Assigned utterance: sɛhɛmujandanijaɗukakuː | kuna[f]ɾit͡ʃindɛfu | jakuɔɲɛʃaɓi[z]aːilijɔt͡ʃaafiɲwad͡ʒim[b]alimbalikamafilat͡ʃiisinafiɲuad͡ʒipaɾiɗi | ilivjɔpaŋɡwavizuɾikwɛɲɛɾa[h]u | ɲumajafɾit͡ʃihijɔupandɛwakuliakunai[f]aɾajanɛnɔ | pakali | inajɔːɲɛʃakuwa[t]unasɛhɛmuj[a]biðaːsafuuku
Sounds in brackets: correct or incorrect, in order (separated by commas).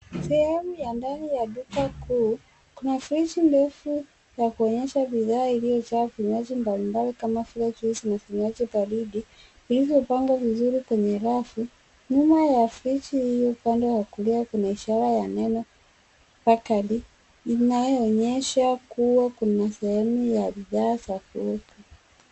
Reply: correct, incorrect, correct, incorrect, incorrect, incorrect, correct